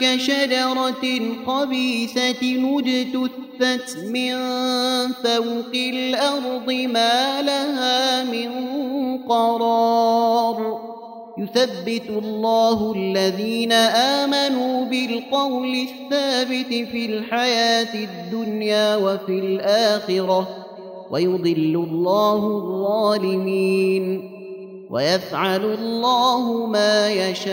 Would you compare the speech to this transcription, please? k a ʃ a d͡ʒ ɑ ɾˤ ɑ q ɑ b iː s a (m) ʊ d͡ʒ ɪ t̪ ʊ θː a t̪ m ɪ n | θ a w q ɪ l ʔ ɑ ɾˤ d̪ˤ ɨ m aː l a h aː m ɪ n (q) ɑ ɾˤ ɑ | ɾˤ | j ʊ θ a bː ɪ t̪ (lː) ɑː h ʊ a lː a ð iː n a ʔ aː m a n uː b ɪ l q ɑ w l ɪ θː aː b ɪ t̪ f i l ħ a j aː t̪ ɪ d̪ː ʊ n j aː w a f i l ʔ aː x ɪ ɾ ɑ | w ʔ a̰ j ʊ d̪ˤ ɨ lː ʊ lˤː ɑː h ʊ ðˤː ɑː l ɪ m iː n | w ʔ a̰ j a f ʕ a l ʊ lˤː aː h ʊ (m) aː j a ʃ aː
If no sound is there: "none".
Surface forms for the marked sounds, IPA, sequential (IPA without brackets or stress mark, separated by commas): n, q, lː, m